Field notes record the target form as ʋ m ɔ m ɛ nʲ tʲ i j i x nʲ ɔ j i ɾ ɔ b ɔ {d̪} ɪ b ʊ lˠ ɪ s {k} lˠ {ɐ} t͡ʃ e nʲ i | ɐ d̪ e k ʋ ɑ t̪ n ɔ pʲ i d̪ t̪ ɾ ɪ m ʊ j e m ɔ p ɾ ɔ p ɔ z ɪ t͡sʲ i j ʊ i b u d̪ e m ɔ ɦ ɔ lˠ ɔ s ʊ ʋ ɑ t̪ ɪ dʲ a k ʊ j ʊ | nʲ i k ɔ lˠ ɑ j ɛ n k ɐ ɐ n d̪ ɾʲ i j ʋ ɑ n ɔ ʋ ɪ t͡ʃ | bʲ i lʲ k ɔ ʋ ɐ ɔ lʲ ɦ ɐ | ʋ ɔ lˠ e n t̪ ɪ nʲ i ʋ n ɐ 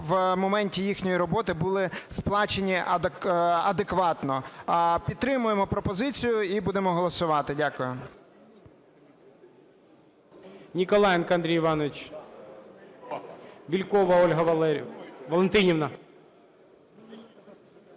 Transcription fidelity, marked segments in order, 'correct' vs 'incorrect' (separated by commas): incorrect, incorrect, incorrect